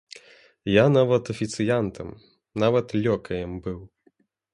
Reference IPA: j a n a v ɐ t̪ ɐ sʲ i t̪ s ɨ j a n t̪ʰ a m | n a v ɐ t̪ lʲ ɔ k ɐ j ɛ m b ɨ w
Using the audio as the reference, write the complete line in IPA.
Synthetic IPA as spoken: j a n a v ɐ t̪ ɐ fʲ i t̪ s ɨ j a n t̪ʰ ɐ m | n a v ɐ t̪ lʲ ɔ k ɐ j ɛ m b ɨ w